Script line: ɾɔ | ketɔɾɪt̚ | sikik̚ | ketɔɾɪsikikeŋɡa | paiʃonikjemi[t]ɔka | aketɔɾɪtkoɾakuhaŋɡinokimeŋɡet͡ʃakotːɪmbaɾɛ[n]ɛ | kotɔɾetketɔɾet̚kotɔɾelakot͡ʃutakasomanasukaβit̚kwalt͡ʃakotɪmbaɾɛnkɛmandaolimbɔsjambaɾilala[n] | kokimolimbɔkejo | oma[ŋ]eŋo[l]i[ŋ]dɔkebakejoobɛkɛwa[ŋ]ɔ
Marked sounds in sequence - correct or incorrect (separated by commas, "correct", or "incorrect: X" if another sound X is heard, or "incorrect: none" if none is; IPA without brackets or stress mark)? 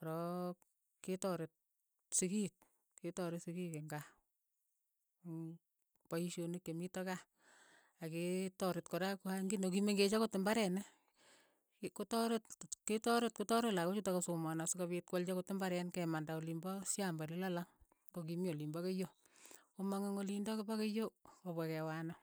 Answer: correct, correct, incorrect: ŋ, correct, correct, incorrect: n, incorrect: n